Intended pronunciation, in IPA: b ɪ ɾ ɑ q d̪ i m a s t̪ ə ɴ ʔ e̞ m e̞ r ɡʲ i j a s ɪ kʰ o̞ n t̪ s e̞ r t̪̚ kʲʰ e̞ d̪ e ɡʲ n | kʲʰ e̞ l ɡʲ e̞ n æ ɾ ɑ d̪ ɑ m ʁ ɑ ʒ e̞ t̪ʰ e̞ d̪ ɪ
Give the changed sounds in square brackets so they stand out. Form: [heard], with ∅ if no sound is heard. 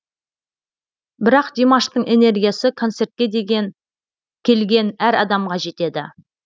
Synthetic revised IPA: b ɪ ɾ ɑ q d̪ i m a [ʃ] t̪ ə ɴ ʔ e̞ [n] e̞ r ɡʲ i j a s ɪ kʰ o̞ n t̪ s e̞ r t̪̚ [kʲ] e̞ d̪ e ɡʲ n | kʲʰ e̞ l ɡʲ e̞ n æ ɾ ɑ d̪ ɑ m ʁ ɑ ʒ e̞ [t̪] e̞ d̪ ɪ